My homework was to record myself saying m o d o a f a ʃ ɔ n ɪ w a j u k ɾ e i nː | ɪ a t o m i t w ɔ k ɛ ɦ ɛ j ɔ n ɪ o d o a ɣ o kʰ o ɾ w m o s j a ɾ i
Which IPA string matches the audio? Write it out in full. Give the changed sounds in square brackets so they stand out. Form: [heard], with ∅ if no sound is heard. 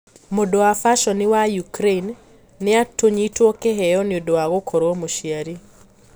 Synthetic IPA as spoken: m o d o a f a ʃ ɔ n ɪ w a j u k ɾ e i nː | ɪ a t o [ɲ] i t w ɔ k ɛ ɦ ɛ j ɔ n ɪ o d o a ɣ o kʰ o ɾ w m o [ʃ] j a ɾ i